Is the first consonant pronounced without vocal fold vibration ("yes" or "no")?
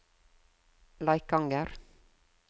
no